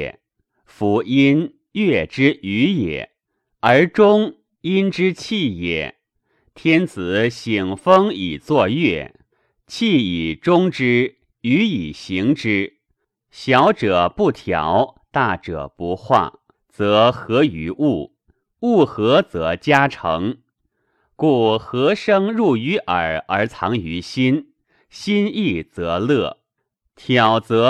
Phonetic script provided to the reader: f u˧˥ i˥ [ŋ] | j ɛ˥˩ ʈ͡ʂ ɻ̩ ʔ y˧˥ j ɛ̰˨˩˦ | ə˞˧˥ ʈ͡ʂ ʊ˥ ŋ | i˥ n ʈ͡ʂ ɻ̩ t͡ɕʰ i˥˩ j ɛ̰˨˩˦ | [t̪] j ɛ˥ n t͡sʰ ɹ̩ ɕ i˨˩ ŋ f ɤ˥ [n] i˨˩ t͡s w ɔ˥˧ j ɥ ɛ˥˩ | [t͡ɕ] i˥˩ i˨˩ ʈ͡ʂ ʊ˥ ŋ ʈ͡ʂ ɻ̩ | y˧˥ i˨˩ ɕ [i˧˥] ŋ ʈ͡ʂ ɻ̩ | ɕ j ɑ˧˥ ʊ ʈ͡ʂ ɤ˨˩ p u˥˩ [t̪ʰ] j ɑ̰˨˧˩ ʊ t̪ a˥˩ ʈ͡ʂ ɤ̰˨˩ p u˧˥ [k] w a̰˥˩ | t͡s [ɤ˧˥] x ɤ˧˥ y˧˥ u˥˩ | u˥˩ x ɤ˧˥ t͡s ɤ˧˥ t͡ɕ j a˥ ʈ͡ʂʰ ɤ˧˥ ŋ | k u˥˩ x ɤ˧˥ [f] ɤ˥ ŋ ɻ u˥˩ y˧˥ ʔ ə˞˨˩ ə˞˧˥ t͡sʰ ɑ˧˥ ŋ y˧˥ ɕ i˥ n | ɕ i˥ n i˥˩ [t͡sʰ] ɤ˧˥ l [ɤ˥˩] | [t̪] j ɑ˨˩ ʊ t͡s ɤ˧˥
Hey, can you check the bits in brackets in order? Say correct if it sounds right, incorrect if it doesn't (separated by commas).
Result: incorrect, incorrect, incorrect, incorrect, correct, correct, incorrect, correct, incorrect, incorrect, correct, incorrect